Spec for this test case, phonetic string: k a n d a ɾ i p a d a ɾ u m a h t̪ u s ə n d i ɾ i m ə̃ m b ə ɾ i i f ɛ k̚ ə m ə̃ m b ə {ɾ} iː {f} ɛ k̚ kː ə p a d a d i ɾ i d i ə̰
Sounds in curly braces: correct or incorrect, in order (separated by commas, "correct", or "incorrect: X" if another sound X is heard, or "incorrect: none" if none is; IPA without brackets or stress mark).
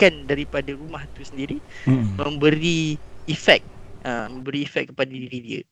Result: correct, correct